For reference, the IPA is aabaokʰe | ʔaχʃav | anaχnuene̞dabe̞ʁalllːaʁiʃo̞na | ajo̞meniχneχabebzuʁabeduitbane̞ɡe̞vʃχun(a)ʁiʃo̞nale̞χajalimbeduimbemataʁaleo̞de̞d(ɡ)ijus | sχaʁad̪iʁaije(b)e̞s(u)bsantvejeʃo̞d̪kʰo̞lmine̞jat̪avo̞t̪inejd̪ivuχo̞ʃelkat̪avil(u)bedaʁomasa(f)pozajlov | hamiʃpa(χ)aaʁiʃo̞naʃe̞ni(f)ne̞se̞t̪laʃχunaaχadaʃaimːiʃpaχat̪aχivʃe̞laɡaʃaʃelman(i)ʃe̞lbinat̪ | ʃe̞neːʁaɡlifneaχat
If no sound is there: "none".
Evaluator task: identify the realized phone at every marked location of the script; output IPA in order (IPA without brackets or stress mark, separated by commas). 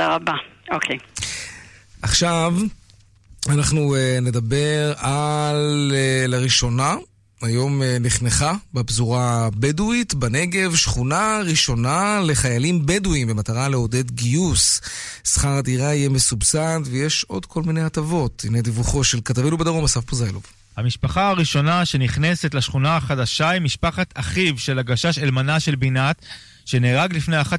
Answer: a, ɡ, m, u, u, f, χ, χ, a